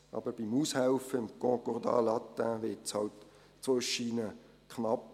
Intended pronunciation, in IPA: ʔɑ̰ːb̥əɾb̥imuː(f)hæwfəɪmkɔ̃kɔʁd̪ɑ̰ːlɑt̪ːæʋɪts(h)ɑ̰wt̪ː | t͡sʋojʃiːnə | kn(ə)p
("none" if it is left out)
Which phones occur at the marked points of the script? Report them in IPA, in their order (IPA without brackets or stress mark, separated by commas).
s, h, ɑ